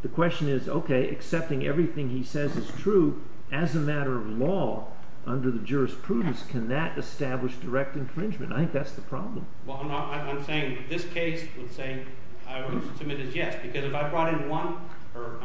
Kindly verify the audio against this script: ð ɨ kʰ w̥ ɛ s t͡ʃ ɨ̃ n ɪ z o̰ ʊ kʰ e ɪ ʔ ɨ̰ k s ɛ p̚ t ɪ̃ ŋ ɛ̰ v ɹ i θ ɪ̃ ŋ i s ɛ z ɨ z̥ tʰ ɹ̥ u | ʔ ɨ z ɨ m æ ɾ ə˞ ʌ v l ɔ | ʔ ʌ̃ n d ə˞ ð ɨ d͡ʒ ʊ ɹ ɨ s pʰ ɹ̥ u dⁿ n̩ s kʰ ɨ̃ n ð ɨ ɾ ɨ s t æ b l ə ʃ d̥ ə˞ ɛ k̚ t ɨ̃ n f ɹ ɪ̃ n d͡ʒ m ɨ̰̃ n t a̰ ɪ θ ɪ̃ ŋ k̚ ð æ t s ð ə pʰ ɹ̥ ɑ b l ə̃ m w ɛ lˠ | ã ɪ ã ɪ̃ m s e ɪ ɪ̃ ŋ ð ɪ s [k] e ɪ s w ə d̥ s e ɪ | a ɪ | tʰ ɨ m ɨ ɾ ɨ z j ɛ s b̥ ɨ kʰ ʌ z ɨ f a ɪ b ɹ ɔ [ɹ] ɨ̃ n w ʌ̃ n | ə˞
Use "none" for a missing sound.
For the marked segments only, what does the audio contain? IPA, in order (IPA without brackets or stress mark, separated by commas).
kʰ, ɾ